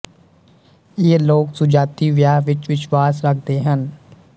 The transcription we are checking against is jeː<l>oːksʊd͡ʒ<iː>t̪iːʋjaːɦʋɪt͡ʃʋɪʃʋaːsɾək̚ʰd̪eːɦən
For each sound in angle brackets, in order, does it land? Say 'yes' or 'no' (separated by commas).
yes, no